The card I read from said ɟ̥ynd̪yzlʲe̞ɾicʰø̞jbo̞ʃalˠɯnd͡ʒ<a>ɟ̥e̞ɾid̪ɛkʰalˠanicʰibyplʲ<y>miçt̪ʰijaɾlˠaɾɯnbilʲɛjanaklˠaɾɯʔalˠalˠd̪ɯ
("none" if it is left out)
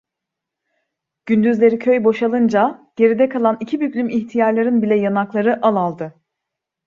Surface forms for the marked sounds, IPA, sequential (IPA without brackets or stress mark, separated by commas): a, y